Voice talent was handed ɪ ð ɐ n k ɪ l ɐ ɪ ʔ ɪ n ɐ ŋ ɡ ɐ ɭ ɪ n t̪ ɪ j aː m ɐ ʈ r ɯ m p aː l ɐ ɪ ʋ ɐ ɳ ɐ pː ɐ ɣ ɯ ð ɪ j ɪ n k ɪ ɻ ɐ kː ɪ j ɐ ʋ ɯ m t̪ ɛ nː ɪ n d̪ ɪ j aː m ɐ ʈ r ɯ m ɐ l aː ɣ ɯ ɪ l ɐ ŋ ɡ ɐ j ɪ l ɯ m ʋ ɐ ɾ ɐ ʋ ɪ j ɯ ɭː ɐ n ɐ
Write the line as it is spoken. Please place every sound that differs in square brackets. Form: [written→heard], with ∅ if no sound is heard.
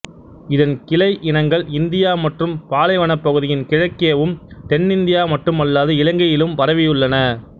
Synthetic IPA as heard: ɪ ð ɐ n k ɪ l ɐ ɪ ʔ ɪ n ɐ ŋ ɡ ɐ ɭ ɪ n [t̪→d̪] ɪ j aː m ɐ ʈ r ɯ m p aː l ɐ ɪ ʋ ɐ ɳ ɐ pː ɐ ɣ ɯ ð ɪ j ɪ n k ɪ ɻ ɐ kː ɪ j ɐ ʋ ɯ m t̪ ɛ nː ɪ n d̪ ɪ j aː m ɐ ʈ r ɯ m ɐ [l→lː] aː [ɣ→ð] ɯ ɪ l ɐ ŋ ɡ ɐ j ɪ l ɯ m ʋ ɐ ɾ ɐ ʋ ɪ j ɯ ɭː ɐ n ɐ

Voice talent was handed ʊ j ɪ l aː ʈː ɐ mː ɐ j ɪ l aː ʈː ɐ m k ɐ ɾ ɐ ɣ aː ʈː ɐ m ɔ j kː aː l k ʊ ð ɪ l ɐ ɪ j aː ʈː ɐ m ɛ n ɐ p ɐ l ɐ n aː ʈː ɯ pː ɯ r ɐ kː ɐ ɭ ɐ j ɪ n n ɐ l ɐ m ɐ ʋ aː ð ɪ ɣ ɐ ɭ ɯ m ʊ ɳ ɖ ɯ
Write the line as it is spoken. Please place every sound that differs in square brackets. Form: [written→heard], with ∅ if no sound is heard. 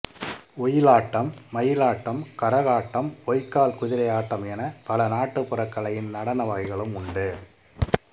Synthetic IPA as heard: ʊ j ɪ l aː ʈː ɐ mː ɐ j ɪ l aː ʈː ɐ m k ɐ ɾ ɐ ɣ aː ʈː ɐ m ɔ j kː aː l k ʊ ð ɪ [l→ɾ] ɐ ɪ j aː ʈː ɐ m ɛ n ɐ p ɐ l ɐ n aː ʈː ɯ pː ɯ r ɐ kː ɐ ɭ ɐ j ɪ n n ɐ [l→ɽ] ɐ [m→n] ɐ ʋ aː [ð→ɣ] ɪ ɣ ɐ ɭ ɯ m ʊ ɳ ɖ ɯ

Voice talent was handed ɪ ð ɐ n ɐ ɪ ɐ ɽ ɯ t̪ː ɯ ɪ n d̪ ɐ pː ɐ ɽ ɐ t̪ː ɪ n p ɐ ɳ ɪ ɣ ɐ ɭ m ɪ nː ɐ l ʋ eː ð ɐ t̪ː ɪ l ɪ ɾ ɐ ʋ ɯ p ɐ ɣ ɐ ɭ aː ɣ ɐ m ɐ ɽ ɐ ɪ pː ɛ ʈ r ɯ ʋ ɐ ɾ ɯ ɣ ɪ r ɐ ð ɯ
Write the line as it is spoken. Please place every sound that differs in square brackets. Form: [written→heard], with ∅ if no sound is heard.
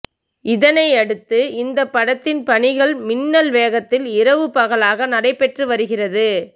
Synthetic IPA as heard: ɪ ð ɐ n ɐ ɪ ɐ ɽ ɯ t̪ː ɯ ɪ n d̪ ɐ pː ɐ ɽ ɐ t̪ː ɪ n p ɐ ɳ ɪ ɣ ɐ ɭ m ɪ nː ɐ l ʋ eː [ð→ɣ] ɐ t̪ː ɪ l ɪ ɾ ɐ ʋ ɯ p ɐ ɣ ɐ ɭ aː ɣ ɐ [m→n] ɐ ɽ ɐ ɪ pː ɛ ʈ r ɯ ʋ ɐ ɾ ɯ ɣ ɪ r ɐ ð ɯ

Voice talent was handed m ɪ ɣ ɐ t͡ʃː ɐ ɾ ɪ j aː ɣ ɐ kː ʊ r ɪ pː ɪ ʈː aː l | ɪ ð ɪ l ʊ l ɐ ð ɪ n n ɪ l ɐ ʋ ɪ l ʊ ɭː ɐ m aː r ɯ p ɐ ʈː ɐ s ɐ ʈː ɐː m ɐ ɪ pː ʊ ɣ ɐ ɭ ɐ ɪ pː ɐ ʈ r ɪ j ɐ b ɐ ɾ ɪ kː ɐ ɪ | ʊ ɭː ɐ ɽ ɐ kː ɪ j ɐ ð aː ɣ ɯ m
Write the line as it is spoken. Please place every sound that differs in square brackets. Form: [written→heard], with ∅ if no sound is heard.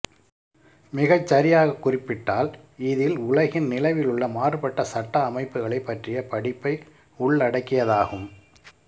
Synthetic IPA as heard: m ɪ ɣ ɐ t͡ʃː ɐ ɾ ɪ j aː ɣ ɐ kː ʊ r ɪ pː ɪ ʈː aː l | ɪ ð ɪ l ʊ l ɐ [ð→ɣ] ɪ n n ɪ l ɐ ʋ ɪ l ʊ ɭː ɐ m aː r ɯ p ɐ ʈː ɐ s ɐ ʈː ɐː m ɐ ɪ pː [ʊ→ɯ] ɣ ɐ ɭ ɐ ɪ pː ɐ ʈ r ɪ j ɐ [b→p] ɐ [ɾ→ɽ] ɪ [kː→pː] ɐ ɪ | ʊ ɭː ɐ ɽ ɐ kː ɪ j ɐ ð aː ɣ ɯ m

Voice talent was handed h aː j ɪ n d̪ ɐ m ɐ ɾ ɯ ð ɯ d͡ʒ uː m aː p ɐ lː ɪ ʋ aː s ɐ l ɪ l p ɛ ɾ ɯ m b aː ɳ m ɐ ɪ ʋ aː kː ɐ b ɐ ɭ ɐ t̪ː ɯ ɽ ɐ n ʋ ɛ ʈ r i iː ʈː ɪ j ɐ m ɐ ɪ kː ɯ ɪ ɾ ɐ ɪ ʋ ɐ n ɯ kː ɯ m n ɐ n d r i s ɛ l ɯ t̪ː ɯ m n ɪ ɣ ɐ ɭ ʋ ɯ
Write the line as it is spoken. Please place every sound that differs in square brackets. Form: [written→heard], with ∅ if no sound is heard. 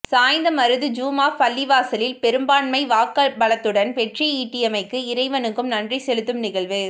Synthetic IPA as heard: [h→s] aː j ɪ n d̪ ɐ m ɐ ɾ ɯ ð ɯ d͡ʒ uː m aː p ɐ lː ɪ ʋ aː s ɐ l ɪ l p ɛ ɾ ɯ m b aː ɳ m ɐ ɪ ʋ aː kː ɐ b ɐ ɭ ɐ t̪ː ɯ ɽ ɐ n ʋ ɛ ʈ r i iː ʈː ɪ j ɐ m ɐ ɪ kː ɯ ɪ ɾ ɐ ɪ ʋ ɐ n ɯ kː ɯ m n ɐ n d r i s ɛ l ɯ t̪ː ɯ m n ɪ ɣ ɐ ɭ ʋ ɯ

